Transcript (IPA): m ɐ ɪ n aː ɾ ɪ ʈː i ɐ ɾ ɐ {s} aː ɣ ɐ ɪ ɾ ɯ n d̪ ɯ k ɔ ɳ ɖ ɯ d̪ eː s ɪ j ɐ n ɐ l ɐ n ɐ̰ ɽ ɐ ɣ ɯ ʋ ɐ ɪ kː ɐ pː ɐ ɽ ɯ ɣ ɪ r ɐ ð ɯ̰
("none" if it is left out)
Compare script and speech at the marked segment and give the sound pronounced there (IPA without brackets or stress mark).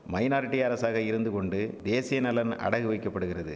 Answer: s